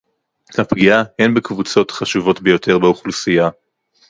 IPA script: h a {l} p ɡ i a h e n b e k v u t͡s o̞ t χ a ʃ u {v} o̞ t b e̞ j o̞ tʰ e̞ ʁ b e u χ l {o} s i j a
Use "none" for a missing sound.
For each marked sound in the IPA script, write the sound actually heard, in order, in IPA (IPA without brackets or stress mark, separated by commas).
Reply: none, v, u